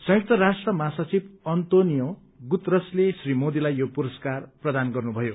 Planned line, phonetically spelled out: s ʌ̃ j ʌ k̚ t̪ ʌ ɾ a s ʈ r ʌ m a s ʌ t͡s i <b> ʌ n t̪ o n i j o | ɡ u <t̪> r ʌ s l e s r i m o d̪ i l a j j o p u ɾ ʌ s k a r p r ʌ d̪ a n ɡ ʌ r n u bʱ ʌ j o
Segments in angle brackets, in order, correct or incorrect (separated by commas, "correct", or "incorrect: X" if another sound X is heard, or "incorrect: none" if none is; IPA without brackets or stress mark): correct, correct